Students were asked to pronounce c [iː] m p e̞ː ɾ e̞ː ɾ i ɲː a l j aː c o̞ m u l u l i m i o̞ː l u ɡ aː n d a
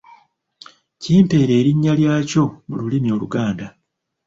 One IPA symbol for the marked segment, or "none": iː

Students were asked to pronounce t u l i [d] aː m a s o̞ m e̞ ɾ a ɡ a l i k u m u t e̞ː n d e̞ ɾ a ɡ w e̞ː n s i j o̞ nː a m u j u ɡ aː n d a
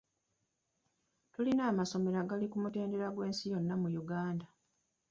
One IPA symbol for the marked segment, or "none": n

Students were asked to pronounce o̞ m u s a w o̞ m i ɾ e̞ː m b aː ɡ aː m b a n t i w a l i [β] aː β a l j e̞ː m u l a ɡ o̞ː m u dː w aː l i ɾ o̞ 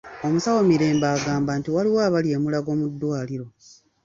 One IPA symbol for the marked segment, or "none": w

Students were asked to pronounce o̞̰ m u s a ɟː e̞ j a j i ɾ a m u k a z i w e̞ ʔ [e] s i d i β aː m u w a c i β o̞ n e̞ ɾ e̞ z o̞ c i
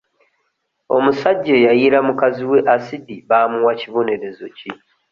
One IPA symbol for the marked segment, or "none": a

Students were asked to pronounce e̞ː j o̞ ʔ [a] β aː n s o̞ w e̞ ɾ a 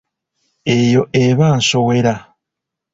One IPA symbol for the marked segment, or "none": e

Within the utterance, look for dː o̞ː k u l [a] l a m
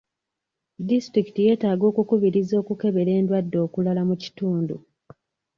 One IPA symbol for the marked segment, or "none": a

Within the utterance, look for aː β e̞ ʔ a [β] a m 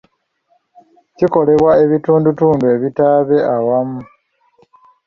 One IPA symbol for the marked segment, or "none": w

